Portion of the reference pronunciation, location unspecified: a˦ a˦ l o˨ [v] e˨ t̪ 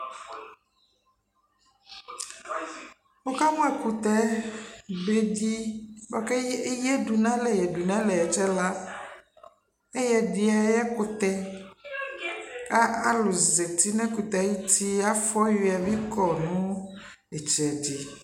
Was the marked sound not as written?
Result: yes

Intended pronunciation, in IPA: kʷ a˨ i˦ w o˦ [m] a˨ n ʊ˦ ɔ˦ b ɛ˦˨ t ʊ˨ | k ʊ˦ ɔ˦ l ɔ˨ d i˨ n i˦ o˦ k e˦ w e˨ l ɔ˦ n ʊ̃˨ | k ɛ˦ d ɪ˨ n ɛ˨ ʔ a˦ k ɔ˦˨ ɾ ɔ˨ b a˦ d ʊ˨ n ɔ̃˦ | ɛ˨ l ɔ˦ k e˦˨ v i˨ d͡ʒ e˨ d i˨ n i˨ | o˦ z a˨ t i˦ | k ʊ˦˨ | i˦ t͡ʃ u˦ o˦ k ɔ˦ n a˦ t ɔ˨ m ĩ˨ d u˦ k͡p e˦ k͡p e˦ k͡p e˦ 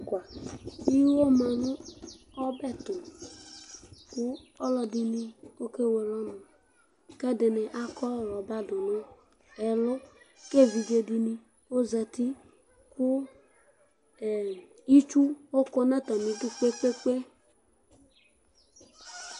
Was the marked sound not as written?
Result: no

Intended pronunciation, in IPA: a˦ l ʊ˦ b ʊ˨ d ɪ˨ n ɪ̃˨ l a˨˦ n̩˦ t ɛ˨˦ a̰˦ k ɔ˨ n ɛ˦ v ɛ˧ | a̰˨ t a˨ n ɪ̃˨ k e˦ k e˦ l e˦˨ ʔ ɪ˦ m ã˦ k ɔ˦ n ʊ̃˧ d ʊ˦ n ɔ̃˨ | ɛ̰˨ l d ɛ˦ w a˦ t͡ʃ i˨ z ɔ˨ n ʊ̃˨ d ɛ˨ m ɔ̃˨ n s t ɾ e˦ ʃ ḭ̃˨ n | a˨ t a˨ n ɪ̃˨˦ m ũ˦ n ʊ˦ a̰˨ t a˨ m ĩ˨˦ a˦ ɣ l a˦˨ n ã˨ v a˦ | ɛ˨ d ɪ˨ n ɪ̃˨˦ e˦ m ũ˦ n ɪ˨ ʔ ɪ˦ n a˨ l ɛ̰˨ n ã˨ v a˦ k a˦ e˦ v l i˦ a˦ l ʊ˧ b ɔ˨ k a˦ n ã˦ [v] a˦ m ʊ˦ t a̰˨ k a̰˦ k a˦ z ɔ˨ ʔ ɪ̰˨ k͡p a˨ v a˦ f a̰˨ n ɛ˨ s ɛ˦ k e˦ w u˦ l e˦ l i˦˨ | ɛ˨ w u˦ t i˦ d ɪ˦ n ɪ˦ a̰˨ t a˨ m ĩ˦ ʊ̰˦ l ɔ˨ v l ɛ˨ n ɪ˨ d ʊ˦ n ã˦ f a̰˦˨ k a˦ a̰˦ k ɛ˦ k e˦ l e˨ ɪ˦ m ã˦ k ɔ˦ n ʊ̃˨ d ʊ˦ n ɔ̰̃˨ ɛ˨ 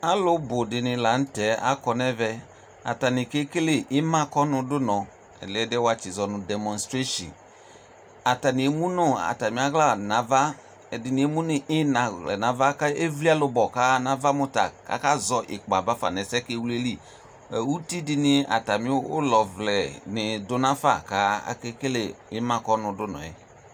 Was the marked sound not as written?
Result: no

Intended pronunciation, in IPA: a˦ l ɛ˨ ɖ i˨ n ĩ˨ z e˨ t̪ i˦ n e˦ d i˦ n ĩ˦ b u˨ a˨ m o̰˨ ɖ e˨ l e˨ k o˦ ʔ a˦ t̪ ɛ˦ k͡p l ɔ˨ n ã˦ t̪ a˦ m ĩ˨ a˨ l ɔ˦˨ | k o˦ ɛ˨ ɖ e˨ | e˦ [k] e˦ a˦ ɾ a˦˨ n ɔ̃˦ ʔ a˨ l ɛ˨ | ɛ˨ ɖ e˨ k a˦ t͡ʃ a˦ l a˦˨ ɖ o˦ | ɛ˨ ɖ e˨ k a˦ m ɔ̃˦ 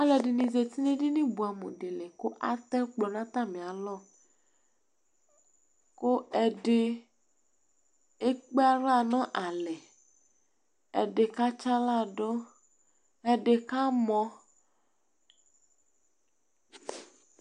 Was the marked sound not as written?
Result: yes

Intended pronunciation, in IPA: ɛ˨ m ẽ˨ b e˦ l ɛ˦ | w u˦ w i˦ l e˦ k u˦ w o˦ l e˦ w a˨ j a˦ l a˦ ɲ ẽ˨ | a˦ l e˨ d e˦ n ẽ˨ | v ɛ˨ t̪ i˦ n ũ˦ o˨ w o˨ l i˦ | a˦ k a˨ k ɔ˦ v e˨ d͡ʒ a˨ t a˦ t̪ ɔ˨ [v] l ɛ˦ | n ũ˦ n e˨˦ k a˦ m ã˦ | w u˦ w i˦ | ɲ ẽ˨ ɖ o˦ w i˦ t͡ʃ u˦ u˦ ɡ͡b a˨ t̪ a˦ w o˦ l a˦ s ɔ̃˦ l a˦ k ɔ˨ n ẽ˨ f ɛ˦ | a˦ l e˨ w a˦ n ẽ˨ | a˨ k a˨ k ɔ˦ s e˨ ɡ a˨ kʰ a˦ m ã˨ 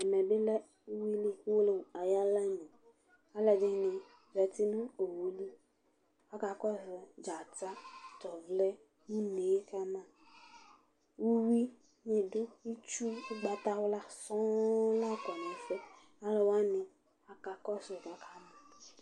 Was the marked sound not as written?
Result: no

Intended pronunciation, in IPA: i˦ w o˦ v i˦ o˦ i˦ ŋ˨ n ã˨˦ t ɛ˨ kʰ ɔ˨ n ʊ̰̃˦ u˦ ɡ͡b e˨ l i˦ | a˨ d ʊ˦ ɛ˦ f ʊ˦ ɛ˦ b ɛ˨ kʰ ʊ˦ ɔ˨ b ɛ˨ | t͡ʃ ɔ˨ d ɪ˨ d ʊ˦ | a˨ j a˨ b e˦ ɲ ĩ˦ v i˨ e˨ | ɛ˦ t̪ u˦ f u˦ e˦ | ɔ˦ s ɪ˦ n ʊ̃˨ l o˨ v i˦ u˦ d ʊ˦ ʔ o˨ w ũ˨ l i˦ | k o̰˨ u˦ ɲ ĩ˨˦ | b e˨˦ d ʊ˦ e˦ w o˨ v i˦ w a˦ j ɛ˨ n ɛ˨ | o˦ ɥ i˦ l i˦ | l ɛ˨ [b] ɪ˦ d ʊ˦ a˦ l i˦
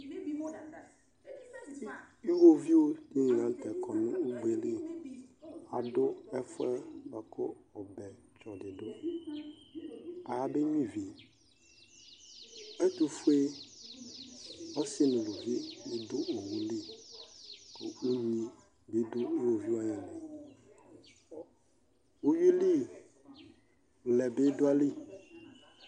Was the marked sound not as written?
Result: no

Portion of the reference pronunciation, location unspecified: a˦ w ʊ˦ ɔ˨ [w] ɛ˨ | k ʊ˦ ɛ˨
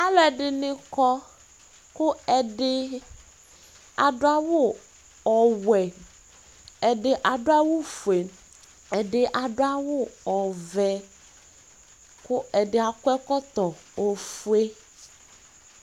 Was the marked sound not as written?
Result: yes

